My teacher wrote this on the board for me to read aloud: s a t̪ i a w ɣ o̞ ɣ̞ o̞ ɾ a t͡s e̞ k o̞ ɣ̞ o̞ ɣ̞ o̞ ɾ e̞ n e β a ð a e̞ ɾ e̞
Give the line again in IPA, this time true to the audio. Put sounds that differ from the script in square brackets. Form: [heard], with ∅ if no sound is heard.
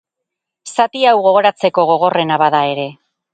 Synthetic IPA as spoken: s a t̪ i a w ɣ o̞ ɣ̞ o̞ ɾ a t͡s e̞ k o̞ ɣ̞ o̞ ɣ̞ o̞ [r] e̞ n [a] β a ð a e̞ ɾ e̞